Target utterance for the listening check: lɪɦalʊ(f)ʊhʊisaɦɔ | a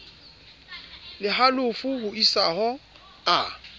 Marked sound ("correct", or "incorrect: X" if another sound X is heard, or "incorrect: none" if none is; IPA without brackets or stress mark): correct